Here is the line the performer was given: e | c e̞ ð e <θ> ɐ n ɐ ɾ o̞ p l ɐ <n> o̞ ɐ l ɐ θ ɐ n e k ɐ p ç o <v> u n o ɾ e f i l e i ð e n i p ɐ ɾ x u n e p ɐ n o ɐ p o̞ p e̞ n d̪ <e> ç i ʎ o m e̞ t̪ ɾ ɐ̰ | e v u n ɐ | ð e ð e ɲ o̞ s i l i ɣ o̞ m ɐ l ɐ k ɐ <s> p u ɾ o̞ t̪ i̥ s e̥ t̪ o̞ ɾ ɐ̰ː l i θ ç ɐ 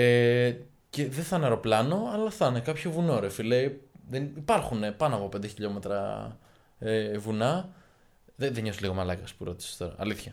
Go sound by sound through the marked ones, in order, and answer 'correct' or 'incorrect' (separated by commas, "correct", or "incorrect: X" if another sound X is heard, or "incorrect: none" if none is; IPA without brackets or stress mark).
correct, correct, correct, correct, correct